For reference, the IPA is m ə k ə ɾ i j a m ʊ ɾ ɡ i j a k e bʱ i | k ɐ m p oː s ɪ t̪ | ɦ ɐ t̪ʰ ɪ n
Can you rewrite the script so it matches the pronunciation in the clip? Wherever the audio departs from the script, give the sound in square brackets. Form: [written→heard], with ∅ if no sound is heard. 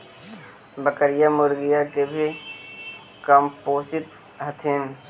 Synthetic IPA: [m→b] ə k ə ɾ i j a m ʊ ɾ ɡ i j a k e bʱ i | k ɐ m p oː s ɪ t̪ | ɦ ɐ t̪ʰ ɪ n